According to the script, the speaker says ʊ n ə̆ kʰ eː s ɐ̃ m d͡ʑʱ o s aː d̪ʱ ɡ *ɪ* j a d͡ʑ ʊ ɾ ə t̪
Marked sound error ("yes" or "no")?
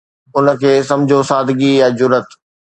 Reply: yes